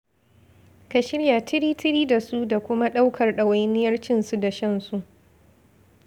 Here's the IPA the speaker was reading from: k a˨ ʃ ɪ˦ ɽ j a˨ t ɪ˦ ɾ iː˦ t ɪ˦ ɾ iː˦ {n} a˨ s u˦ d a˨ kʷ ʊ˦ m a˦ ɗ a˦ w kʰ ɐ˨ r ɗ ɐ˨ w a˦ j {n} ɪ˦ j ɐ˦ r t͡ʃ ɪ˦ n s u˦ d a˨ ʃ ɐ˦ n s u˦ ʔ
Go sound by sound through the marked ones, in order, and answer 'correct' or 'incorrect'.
incorrect: d, correct

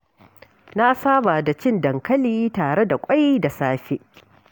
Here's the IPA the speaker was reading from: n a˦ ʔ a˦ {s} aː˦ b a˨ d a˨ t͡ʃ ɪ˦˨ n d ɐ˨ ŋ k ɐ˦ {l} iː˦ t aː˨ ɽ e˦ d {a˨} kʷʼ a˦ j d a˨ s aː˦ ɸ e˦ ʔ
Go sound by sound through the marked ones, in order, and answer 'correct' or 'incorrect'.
correct, correct, correct

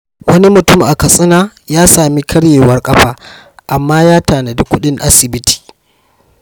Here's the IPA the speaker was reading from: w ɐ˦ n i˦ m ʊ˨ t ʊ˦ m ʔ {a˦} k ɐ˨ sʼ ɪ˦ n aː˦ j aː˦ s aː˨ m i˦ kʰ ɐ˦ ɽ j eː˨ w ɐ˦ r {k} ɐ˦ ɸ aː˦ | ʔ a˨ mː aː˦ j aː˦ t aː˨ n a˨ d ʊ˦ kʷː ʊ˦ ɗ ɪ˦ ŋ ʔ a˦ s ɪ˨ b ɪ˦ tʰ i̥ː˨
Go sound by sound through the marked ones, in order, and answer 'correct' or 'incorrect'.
incorrect: a˨, incorrect: kʼ

